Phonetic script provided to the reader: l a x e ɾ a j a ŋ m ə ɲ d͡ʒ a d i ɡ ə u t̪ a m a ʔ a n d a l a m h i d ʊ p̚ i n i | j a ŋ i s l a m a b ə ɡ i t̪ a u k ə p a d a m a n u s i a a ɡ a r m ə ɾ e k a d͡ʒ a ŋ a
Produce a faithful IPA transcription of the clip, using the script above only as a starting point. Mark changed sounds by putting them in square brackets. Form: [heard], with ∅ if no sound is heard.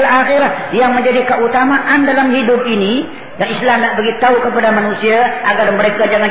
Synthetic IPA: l a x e ɾ a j a ŋ m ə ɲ d͡ʒ a d i [k] ə u t̪ a m a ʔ a n d a l a m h i d ʊ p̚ i n i | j a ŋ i s l a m a b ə ɡ i t̪ a u k ə p a d a m a n u s i a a ɡ a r m ə ɾ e k a d͡ʒ a ŋ a